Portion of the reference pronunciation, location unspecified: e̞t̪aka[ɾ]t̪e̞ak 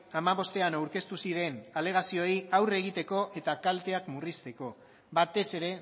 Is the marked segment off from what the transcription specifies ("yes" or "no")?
yes